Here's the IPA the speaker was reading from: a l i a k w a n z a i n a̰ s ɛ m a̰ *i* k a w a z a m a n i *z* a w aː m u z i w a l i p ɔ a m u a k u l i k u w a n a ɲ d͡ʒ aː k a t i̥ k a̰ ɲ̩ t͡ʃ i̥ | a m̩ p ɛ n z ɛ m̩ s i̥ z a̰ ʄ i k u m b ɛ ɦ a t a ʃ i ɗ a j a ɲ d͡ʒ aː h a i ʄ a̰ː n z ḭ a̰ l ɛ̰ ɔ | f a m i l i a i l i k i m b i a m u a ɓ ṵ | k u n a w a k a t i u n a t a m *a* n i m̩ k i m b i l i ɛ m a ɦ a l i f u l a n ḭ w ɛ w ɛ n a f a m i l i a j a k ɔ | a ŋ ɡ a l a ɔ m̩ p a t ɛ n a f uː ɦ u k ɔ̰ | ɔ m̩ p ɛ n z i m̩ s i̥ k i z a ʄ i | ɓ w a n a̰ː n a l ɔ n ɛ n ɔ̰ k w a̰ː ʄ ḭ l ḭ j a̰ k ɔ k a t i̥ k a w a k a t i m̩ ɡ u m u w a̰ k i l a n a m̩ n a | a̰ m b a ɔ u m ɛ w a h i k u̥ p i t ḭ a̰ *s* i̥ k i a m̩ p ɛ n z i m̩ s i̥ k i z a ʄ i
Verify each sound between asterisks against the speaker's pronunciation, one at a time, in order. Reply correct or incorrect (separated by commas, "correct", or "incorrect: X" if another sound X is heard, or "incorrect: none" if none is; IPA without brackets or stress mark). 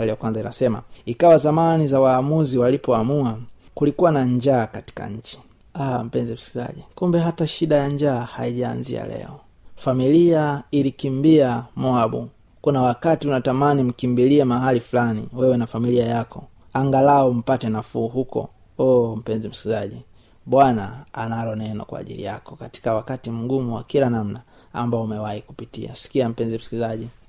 correct, correct, correct, correct